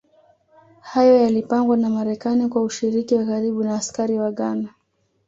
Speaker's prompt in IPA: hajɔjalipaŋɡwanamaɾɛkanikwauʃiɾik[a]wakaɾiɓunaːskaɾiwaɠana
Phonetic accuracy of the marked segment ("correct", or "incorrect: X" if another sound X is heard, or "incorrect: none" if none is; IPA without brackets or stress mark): incorrect: i